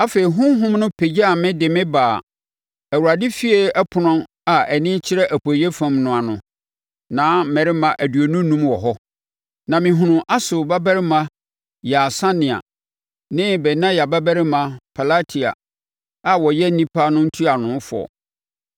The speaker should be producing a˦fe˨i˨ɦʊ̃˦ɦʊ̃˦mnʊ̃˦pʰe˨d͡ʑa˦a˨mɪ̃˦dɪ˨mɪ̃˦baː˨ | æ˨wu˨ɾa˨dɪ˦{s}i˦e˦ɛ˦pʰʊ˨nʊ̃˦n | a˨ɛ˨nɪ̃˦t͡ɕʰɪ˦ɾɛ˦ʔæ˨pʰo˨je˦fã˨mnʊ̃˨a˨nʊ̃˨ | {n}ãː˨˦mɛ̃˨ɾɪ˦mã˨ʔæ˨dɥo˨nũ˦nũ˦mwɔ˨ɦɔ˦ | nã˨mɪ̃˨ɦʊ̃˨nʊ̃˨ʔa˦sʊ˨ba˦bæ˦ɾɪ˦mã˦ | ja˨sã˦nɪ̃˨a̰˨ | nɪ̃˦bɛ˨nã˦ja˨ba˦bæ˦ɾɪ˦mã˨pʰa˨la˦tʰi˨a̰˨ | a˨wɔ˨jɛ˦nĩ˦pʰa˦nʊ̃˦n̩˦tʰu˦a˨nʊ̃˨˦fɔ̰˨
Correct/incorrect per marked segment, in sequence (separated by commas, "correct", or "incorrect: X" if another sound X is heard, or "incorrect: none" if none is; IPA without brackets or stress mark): incorrect: f, correct